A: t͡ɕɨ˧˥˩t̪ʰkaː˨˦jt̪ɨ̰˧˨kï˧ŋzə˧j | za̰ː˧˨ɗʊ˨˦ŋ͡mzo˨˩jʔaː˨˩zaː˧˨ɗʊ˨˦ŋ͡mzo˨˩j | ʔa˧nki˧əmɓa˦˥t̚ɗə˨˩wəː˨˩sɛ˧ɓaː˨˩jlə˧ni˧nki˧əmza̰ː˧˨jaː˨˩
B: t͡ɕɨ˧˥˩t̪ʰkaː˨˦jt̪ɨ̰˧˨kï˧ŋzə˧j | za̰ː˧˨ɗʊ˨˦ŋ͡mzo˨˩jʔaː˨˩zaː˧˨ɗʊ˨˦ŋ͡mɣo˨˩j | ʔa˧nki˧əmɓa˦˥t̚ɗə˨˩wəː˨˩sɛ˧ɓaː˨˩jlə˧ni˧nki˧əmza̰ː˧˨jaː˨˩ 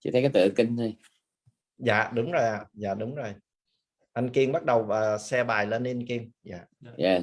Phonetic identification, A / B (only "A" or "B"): A